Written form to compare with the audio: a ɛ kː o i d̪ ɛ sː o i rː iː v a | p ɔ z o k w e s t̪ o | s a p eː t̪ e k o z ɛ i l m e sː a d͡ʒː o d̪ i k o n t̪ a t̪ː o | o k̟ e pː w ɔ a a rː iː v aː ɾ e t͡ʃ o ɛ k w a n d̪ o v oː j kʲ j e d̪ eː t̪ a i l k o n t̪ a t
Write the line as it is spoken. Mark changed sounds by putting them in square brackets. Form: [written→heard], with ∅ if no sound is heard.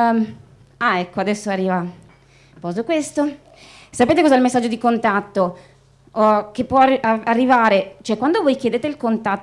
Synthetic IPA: a ɛ kː o [i→a] d̪ ɛ sː o [i→a] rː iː v a | p ɔ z o k w e s t̪ o | s a p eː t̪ e k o z ɛ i l m e sː a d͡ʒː o d̪ i k o n t̪ a t̪ː o | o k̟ e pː w ɔ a a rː [iː→i] v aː ɾ e t͡ʃ o ɛ k w a n d̪ o v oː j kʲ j e d̪ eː t̪ [a→e] i l k o n t̪ a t